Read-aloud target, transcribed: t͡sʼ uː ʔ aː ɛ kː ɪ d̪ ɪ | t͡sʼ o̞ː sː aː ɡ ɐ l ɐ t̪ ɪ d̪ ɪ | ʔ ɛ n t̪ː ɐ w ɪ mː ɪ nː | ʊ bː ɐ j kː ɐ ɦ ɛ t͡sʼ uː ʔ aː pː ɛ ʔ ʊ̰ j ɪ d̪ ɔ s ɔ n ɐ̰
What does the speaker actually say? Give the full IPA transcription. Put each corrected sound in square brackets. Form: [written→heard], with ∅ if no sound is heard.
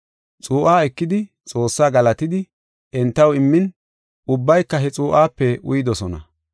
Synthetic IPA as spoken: t͡sʼ uː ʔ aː ɛ kː ɪ d̪ ɪ | t͡sʼ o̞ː sː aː ɡ ɐ l ɐ t̪ ɪ d̪ ɪ | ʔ ɛ n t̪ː ɐ w ɪ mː ɪ [nː→n] | ʊ bː ɐ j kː ɐ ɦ ɛ t͡sʼ uː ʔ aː pː ɛ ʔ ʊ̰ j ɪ d̪ ɔ s ɔ n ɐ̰

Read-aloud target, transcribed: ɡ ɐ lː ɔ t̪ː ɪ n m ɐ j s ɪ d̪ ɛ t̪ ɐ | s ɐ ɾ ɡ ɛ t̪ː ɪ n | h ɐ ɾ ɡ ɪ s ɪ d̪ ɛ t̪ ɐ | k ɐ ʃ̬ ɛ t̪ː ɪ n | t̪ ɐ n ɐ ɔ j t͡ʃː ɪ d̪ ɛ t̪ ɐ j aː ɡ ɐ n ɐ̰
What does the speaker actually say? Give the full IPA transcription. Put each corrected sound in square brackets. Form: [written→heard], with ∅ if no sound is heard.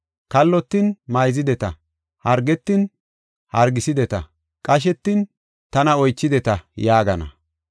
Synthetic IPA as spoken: [ɡ→k] ɐ lː ɔ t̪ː ɪ n m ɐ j [s→z] ɪ d̪ ɛ t̪ ɐ | [s→h] ɐ ɾ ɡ ɛ t̪ː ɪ n | h ɐ ɾ ɡ ɪ s ɪ d̪ ɛ t̪ ɐ | [k→kʼ] ɐ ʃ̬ ɛ t̪ː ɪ n | t̪ ɐ n ɐ ɔ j t͡ʃː ɪ d̪ ɛ t̪ ɐ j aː ɡ ɐ n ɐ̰

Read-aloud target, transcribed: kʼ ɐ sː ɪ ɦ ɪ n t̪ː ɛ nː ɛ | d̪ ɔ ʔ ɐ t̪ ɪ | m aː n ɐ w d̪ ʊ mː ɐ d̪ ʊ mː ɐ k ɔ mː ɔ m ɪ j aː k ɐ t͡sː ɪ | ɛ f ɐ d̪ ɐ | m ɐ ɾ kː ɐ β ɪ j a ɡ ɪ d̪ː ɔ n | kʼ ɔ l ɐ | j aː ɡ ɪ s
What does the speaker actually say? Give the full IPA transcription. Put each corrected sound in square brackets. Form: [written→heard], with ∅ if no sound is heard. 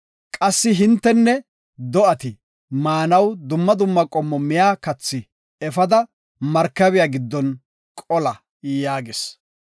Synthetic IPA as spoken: kʼ ɐ sː ɪ ɦ ɪ n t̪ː ɛ nː ɛ | d̪ ɔ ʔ ɐ t̪ ɪ | m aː n ɐ w d̪ ʊ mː ɐ d̪ ʊ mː ɐ [k→kʼ] ɔ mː ɔ m ɪ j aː k ɐ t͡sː ɪ | ɛ f ɐ d̪ ɐ | m ɐ ɾ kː ɐ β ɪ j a ɡ ɪ d̪ː ɔ n | kʼ ɔ l ɐ | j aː ɡ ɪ s

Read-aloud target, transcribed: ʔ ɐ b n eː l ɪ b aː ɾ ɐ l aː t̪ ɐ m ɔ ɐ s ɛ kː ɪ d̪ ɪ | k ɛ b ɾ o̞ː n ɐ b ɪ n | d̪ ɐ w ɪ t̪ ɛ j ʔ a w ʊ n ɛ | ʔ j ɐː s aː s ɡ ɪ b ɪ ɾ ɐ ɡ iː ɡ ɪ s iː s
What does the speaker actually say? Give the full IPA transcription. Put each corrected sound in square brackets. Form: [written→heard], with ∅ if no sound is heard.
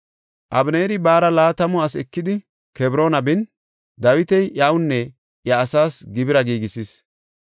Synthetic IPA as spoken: ʔ ɐ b n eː [l→ɾ] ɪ b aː ɾ ɐ l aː t̪ ɐ m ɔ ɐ s ɛ kː ɪ d̪ ɪ | k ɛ b ɾ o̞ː n ɐ b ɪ n | d̪ ɐ w ɪ t̪ ɛ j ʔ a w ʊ [n→nː] ɛ | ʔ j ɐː s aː s ɡ ɪ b ɪ ɾ ɐ ɡ iː ɡ ɪ s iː s

